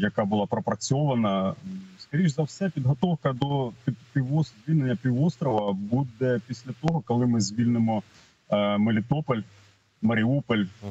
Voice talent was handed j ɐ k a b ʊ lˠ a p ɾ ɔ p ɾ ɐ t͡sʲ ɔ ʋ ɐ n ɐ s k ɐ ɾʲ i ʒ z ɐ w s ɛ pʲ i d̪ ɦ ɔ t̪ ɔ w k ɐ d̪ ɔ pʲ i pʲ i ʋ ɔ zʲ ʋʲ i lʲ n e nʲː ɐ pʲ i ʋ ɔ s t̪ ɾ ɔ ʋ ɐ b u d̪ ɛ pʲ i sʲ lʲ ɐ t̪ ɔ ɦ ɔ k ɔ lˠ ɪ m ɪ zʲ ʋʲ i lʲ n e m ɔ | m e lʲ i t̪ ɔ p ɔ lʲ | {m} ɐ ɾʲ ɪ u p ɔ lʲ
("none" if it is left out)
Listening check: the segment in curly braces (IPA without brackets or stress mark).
m